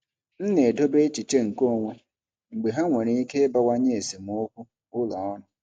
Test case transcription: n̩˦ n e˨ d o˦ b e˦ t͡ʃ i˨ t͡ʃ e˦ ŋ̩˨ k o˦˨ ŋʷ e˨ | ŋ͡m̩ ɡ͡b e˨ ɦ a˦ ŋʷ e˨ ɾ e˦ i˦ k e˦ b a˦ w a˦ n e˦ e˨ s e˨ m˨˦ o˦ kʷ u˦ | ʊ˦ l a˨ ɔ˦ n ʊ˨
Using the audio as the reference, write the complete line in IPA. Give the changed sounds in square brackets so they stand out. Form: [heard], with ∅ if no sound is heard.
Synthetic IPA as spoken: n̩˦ n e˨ d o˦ b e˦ t͡ʃ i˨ t͡ʃ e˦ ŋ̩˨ k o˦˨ ŋʷ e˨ | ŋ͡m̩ ɡ͡b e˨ ɦ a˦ ŋʷ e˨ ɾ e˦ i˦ k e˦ b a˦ w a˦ [ɲ] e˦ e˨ s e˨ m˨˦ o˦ kʷ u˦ | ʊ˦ l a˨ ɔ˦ n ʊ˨